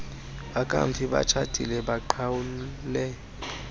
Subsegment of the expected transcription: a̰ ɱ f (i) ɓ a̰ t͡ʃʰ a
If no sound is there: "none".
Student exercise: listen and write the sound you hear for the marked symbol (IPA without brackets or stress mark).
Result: i